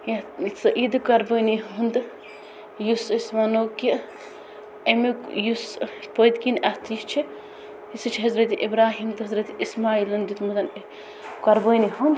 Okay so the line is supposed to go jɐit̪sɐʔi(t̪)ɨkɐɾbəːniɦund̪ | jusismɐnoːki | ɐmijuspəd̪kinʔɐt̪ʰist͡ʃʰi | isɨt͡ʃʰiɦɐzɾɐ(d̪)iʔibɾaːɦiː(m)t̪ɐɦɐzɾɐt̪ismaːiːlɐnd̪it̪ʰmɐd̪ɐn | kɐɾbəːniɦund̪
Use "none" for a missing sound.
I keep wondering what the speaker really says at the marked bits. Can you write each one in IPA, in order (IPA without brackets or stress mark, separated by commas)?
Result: d̪, t̪, m